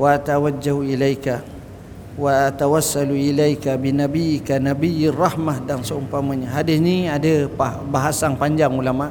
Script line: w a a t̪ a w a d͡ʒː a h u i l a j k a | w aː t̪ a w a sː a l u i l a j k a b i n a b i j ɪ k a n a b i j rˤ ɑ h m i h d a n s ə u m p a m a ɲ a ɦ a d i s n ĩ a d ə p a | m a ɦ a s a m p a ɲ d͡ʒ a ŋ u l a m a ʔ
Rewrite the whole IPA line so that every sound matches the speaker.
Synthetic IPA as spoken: w a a t̪ a w a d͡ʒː a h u i l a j k a | w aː t̪ a w a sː a l u i l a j k a b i n a b i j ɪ k a n a b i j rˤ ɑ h m a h d a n s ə u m p a m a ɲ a ɦ a d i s n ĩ a d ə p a | b a ɦ a s a ŋ p a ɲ d͡ʒ a ŋ u l a m a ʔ